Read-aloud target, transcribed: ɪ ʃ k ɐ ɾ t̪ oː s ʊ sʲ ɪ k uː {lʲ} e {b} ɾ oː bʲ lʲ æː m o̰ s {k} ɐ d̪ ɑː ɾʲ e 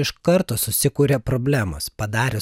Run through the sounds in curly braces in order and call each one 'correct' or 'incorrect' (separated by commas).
incorrect, incorrect, incorrect